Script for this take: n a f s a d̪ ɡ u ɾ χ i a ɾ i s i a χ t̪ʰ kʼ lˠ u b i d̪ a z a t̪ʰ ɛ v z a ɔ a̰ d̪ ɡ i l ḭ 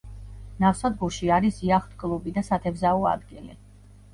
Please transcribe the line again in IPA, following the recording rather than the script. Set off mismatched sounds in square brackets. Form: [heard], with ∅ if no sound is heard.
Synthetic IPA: n a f s a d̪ ɡ u ɾ [ʃ] i a ɾ i s i a χ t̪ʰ kʼ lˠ u b i d̪ a [s] a t̪ʰ ɛ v z a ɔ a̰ d̪ ɡ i l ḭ